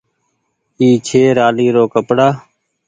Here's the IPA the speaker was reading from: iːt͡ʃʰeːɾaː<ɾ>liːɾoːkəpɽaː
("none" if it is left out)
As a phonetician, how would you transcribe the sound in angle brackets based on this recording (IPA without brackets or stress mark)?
none